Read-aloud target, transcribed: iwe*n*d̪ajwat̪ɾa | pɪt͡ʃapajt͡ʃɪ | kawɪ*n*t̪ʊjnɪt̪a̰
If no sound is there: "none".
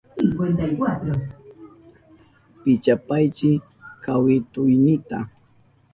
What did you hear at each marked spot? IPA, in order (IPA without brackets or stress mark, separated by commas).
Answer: n, none